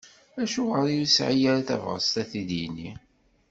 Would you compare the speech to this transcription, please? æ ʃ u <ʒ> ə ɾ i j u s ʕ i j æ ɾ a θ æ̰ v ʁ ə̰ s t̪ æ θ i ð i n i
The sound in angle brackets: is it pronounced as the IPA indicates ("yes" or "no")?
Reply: no